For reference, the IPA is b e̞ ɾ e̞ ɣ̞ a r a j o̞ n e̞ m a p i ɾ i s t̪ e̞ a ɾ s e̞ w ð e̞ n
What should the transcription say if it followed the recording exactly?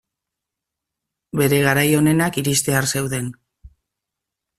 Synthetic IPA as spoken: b e̞ ɾ e̞ ɣ̞ a ɾ a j o̞ n e̞ n a k i ɾ i s t̪ e̞ a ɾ s e̞ w ð e̞ n